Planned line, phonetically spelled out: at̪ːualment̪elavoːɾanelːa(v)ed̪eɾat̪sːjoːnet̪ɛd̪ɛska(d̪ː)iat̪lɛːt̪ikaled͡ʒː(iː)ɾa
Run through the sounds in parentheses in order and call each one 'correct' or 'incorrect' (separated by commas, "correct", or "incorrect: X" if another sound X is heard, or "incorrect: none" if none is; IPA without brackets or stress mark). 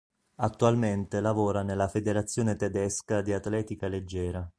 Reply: incorrect: f, incorrect: d̪, incorrect: ɛː